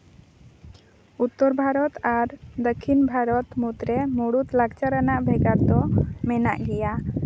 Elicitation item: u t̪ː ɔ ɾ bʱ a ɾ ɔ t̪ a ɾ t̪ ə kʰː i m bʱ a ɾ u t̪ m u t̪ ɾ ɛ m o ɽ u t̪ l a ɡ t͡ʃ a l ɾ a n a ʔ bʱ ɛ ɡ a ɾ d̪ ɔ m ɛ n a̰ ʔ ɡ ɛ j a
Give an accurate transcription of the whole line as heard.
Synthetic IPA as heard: u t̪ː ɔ ɾ bʱ a ɾ ɔ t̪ a ɾ d̪ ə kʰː i n bʱ a ɾ ɔ t̪ m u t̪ ɾ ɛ m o ɽ u t̪ l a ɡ t͡ʃ a ɾ a n a ʔ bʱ ɛ ɡ a ɾ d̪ ɔ m ɛ n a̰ ʔ ɡ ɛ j a